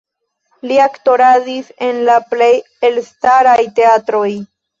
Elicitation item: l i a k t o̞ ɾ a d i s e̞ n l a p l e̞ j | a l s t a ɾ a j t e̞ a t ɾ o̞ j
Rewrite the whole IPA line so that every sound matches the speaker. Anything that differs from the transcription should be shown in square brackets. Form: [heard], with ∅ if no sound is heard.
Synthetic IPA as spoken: l i a k t o̞ ɾ a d i s e̞ n l a p l e̞ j | [e] l s t a ɾ a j t e̞ a t ɾ o̞ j